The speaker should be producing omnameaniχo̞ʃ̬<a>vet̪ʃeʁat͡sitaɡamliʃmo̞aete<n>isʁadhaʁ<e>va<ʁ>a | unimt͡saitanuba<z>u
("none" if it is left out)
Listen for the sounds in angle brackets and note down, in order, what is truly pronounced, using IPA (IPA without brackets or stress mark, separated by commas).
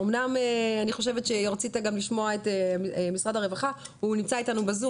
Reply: e, m, e, χ, z